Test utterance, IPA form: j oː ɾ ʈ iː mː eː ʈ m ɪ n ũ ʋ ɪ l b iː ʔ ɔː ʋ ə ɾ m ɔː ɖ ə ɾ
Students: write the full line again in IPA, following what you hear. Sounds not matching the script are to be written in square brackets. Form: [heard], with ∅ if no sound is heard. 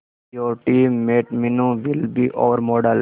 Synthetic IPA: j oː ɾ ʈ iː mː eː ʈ m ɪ n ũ ʋ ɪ l b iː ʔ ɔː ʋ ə ɾ m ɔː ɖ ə [l]